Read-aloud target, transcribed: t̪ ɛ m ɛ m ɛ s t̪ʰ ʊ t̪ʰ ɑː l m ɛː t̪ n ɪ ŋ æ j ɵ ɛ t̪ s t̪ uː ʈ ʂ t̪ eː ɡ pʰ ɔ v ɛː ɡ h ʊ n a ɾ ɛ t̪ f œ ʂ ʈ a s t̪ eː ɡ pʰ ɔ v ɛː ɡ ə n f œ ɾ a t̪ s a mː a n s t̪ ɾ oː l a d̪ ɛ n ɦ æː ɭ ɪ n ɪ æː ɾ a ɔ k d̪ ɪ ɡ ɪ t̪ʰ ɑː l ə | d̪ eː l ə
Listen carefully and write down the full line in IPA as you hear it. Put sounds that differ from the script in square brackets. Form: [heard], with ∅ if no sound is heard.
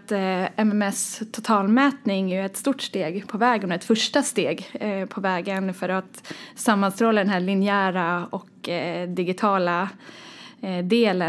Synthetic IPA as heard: t̪ ɛ m ɛ m ɛ s t̪ʰ ʊ t̪ʰ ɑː l m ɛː t̪ n ɪ ŋ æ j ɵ ɛ t̪ s t̪ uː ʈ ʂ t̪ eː ɡ pʰ ɔ v ɛː ɡ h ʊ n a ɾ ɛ t̪ f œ ʂ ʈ a s t̪ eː ɡ pʰ ɔ v ɛː ɡ ə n f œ ɾ a t̪ s a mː a n s t̪ ɾ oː l a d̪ ɛ n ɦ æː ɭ ɪ n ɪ æː ɾ a ɔ k d̪ ɪ ɡ ɪ t̪ʰ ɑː l [a] | d̪ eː l ə